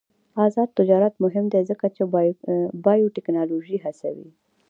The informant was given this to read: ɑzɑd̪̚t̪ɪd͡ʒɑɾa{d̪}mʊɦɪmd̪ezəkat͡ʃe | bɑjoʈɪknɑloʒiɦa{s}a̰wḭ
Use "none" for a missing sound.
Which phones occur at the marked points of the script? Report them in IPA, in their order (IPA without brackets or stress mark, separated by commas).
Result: t̪, s